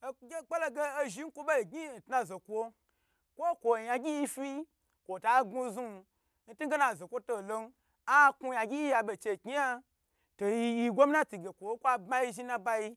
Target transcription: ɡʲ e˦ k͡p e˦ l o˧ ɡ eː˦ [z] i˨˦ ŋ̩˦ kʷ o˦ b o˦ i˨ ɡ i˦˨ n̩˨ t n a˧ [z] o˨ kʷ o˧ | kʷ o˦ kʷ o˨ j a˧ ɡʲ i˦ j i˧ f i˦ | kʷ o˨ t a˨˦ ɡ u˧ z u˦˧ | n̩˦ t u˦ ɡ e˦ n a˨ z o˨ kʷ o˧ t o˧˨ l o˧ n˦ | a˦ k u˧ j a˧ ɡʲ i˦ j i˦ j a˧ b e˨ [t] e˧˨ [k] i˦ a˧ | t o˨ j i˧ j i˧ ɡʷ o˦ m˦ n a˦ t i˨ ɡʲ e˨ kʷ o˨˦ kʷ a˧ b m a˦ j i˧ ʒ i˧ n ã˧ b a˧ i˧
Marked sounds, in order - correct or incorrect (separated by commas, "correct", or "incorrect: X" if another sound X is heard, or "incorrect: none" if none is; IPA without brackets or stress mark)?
incorrect: ʒ, correct, incorrect: t͡ʃ, correct